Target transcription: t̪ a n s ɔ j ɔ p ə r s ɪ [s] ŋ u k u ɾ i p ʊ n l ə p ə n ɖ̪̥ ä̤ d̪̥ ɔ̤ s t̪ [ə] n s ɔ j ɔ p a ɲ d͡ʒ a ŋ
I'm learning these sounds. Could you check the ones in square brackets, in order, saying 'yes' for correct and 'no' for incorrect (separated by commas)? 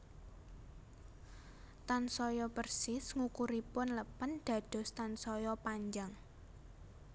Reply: yes, no